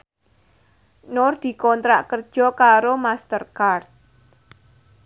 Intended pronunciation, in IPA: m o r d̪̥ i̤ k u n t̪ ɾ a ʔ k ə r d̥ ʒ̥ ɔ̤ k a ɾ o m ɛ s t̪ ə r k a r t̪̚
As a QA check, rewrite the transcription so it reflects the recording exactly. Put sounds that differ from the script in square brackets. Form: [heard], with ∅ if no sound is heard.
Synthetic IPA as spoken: [n] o r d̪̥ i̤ k [ɔ] n t̪ ɾ a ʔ k ə r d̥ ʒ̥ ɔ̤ k a ɾ o m [a] s t̪ ə r k a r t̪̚